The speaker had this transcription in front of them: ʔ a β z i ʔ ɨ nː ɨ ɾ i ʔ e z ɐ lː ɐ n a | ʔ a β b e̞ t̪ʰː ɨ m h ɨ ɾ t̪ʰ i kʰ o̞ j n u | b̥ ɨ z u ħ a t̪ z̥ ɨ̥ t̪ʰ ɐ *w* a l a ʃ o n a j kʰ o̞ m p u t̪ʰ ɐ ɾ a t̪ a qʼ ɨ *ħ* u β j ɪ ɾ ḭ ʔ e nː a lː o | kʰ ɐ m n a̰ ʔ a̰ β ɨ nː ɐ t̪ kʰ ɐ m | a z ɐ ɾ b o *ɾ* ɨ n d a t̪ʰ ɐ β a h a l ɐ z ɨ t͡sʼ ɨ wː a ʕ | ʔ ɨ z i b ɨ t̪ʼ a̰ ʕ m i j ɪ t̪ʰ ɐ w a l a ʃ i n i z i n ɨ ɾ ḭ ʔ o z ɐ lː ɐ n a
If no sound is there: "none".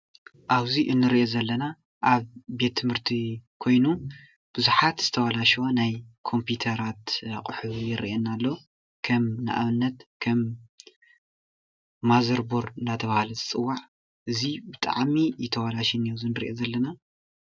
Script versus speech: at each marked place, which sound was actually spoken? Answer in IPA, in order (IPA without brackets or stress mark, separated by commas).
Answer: w, ħ, ɾ